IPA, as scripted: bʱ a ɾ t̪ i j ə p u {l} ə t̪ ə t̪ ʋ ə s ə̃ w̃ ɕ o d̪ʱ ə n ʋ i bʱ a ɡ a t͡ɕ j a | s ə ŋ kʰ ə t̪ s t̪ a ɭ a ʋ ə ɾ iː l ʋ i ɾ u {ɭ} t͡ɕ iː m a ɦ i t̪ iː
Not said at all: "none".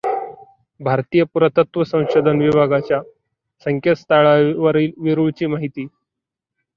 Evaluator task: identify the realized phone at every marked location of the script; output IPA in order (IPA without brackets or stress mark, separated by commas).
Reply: ɾ, ɭ